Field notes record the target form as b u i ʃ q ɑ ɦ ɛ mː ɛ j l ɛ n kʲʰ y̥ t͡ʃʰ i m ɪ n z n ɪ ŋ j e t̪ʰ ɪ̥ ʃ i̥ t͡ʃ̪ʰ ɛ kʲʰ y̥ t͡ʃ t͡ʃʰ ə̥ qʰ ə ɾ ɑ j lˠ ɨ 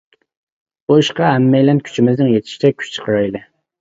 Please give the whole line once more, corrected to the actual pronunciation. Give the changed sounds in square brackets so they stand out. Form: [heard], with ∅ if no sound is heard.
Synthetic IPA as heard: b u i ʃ q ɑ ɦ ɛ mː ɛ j l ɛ n kʲʰ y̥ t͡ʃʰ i m ɪ [∅] z n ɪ ŋ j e t̪ʰ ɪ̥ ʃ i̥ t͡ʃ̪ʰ ɛ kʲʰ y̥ t͡ʃ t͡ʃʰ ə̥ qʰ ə ɾ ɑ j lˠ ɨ